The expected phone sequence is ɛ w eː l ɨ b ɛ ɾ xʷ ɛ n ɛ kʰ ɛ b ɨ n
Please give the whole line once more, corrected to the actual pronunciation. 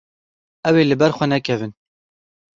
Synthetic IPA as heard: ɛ w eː l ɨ b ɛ ɾ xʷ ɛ n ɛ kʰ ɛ v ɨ n